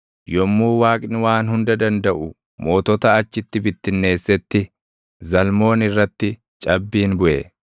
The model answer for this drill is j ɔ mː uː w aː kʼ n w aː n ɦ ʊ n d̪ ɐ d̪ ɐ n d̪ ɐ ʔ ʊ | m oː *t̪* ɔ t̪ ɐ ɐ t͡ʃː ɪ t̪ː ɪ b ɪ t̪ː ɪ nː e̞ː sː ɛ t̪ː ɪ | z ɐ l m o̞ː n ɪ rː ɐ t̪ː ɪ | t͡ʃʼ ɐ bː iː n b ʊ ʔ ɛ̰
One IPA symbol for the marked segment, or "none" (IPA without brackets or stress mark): t̪